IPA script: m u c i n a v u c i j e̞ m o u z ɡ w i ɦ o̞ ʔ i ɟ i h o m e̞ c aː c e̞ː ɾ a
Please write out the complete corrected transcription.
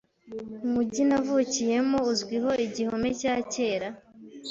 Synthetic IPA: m u ɟ i n a v u c i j e̞ m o u z ɡ w i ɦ o̞ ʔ i ɟ i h o m e̞ c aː c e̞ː ɾ a